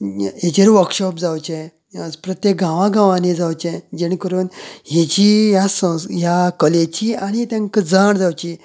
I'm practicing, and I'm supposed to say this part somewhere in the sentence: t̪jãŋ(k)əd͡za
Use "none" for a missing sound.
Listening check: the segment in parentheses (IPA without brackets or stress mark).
k